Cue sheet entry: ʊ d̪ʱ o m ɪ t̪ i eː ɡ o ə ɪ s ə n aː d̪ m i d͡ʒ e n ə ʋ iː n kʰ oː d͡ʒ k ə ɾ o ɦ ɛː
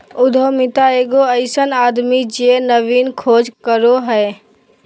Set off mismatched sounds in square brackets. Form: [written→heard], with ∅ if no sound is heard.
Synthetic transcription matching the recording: ʊ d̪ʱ o m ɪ t̪ [i→a] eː ɡ o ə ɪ s ə n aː d̪ m i d͡ʒ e n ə ʋ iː n kʰ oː d͡ʒ k ə ɾ o ɦ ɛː